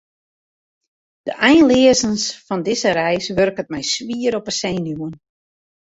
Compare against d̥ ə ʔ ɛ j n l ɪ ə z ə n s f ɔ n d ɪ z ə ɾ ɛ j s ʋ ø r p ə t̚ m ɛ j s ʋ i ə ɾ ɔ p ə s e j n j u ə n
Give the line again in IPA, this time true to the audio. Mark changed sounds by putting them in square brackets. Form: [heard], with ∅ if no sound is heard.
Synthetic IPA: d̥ ə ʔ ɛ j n l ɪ ə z ə n s f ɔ n d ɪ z ə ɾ ɛ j s ʋ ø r [k] ə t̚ m ɛ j s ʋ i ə ɾ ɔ p ə s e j n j u ə n